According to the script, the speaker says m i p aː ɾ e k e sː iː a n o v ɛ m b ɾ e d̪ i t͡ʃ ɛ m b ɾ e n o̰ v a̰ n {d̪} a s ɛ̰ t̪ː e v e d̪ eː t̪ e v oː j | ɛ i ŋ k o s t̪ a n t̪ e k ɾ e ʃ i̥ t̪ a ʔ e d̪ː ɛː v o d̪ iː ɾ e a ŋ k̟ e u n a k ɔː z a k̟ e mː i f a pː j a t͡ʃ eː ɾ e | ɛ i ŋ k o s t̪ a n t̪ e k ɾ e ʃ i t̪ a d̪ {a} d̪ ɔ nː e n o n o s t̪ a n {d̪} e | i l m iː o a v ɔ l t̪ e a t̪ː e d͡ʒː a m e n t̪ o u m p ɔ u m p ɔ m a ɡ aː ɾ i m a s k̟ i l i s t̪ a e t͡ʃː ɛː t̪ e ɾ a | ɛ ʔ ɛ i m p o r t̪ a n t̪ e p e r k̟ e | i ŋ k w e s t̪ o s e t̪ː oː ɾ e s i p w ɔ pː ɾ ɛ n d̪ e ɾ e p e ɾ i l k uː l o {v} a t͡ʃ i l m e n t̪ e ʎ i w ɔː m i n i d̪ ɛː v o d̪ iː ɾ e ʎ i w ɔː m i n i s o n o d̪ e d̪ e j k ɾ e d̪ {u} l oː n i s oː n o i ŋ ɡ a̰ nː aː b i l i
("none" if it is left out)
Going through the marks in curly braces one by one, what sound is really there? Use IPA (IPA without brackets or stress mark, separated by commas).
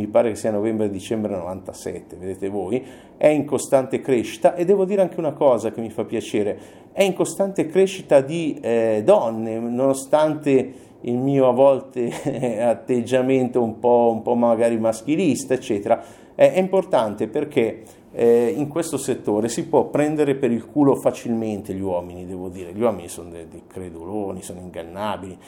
t̪, i, t̪, f, u